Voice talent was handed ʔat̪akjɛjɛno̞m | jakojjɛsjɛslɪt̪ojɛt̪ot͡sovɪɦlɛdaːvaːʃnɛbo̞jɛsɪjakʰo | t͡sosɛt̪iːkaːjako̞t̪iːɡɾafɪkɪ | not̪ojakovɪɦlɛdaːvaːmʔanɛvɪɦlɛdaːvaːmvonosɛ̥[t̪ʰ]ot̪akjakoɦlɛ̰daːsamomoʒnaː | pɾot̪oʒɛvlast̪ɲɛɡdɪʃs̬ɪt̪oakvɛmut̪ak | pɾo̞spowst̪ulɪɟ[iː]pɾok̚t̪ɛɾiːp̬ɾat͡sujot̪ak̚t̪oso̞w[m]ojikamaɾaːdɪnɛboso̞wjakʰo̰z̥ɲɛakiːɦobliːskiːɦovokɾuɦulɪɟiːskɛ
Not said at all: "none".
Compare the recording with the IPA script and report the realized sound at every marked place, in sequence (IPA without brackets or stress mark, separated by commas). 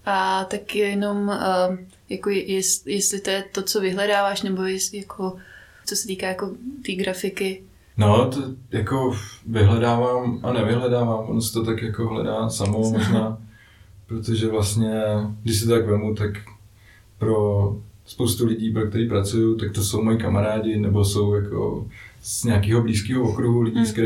t̪, iː, m